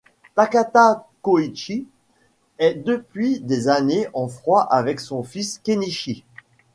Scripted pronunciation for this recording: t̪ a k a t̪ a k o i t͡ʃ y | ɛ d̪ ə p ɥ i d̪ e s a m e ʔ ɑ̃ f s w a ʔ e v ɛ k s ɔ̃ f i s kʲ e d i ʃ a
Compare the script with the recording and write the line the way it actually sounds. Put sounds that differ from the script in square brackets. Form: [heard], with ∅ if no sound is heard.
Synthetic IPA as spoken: t̪ a k a t̪ a k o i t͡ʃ [i] | ɛ d̪ ə p ɥ i d̪ e [z] a [n] e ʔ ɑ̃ f [χ] w a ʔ [a] v ɛ k s ɔ̃ f i s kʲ e [n] i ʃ [i]